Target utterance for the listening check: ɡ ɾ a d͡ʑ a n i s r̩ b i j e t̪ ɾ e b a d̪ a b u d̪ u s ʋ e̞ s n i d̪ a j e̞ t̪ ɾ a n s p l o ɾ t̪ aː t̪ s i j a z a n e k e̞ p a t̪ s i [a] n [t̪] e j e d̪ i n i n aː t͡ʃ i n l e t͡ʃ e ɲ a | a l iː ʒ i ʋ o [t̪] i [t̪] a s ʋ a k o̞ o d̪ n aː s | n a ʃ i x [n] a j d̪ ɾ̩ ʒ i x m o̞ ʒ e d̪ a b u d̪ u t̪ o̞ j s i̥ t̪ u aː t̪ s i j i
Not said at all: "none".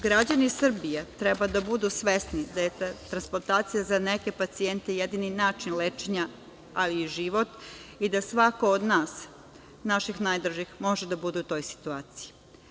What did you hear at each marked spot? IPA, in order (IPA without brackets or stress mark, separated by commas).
e, t̪, t̪, d̪, n